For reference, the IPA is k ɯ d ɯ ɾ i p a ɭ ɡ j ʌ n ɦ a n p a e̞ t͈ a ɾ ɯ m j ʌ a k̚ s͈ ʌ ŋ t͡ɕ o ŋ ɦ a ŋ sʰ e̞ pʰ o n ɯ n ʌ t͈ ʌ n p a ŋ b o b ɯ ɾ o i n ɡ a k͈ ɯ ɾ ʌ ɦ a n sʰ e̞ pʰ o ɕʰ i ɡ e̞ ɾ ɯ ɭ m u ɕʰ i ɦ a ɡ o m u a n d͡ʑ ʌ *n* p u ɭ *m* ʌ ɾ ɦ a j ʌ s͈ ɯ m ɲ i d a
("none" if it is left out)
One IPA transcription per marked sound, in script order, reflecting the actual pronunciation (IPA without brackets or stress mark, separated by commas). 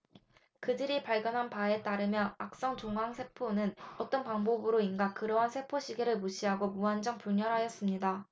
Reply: ŋ, ɲ